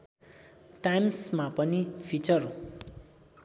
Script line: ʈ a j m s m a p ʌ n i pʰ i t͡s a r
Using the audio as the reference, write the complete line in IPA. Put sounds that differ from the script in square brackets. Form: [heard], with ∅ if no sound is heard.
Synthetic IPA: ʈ a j m s m a p ʌ n i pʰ i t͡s [ʌ] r